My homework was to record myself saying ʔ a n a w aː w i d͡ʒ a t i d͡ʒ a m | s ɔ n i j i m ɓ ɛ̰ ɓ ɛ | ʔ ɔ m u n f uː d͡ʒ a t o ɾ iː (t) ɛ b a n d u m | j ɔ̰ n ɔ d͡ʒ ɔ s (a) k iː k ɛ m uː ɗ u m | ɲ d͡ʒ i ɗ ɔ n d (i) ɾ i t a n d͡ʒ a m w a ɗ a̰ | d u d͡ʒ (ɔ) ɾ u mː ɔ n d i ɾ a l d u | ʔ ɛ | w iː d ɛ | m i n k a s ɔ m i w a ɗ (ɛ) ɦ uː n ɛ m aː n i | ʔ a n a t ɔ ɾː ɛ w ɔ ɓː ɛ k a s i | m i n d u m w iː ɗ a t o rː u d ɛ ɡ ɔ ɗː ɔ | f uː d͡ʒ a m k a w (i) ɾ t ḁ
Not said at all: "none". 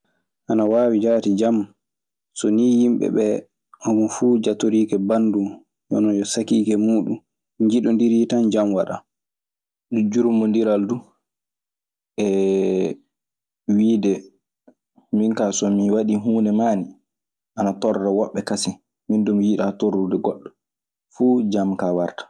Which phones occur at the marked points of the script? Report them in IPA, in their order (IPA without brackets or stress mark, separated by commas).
k, a, i, u, i, a